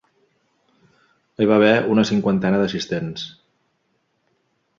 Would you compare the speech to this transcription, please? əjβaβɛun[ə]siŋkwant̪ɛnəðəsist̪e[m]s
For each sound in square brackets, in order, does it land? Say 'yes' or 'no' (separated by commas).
yes, no